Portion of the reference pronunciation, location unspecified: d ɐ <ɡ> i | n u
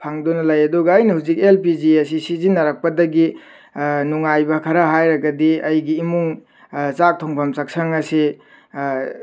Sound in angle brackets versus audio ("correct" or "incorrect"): correct